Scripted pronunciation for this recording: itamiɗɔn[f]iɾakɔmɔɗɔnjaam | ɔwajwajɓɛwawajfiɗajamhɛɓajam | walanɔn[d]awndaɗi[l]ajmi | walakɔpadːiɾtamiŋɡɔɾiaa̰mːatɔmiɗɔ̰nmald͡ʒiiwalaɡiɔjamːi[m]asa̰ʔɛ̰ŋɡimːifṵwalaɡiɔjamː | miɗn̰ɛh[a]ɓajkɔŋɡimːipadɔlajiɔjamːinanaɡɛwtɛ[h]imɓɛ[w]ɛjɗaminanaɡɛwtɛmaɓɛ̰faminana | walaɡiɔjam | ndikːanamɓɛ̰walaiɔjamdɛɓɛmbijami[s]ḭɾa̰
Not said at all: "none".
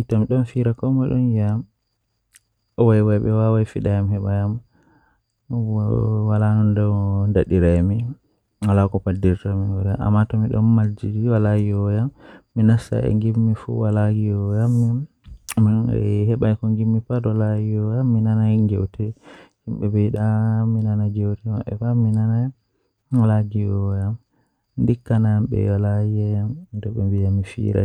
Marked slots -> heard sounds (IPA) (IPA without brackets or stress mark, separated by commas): f, d, ɾ, n, ɛ, h, b, f